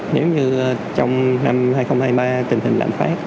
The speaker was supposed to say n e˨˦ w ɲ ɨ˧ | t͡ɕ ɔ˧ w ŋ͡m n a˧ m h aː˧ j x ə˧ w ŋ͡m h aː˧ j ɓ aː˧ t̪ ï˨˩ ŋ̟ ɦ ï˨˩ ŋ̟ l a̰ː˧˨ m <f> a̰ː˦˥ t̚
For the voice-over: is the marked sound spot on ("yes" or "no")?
yes